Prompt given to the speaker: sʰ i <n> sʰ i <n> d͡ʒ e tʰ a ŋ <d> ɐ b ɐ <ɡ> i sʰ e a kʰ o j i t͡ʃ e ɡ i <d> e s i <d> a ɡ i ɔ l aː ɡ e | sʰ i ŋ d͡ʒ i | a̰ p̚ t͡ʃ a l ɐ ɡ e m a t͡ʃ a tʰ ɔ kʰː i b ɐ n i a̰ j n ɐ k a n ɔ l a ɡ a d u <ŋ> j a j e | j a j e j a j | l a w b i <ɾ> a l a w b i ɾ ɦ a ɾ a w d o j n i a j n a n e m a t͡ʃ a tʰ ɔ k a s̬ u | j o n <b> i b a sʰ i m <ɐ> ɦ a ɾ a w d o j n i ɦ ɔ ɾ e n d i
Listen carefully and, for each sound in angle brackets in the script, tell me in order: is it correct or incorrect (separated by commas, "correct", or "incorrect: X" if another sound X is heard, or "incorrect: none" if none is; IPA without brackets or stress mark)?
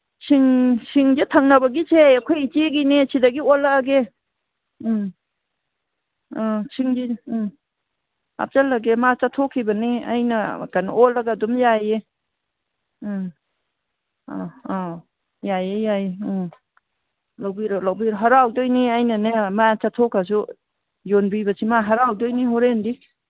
incorrect: ŋ, incorrect: ŋ, incorrect: n, correct, incorrect: n, correct, incorrect: m, correct, correct, incorrect: a